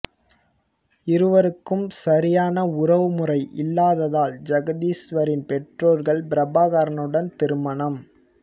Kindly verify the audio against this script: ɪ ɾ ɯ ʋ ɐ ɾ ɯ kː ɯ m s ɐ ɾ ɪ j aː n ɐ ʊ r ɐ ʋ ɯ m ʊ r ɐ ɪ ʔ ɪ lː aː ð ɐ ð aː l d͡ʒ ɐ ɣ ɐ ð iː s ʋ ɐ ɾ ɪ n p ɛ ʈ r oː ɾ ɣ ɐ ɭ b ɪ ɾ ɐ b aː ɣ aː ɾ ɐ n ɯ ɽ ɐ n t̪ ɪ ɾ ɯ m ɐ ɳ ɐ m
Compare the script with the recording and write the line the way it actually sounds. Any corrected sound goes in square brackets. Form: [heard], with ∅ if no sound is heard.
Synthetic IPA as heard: ɪ ɾ ɯ ʋ ɐ ɾ ɯ kː ɯ m s ɐ ɾ ɪ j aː n ɐ ʊ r ɐ ʋ ɯ m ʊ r ɐ ɪ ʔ ɪ lː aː ð ɐ ð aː l d͡ʒ ɐ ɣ ɐ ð iː s ʋ ɐ ɾ ɪ n p ɛ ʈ r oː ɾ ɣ ɐ ɭ b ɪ ɾ ɐ b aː ɣ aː ɾ ɐ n ɯ ɽ ɐ n t̪ ɪ ɾ ɯ m ɐ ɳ ɐ m